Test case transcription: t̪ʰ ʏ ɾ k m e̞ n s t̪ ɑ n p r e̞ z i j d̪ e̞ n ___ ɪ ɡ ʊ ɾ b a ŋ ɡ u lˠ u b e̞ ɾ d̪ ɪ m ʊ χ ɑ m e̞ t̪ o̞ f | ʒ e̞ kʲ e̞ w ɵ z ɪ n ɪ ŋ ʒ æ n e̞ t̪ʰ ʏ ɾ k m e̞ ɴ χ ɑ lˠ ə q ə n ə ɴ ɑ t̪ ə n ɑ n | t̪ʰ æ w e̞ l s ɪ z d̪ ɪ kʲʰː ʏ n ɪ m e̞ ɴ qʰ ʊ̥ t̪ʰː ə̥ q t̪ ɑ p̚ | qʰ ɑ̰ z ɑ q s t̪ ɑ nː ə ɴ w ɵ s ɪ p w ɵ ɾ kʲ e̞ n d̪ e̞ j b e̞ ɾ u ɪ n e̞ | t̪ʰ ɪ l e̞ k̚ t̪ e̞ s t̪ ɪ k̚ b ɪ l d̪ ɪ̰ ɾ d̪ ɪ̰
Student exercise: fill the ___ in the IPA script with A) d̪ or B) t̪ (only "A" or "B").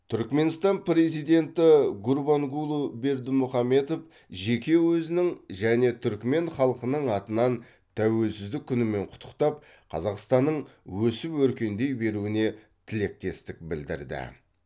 B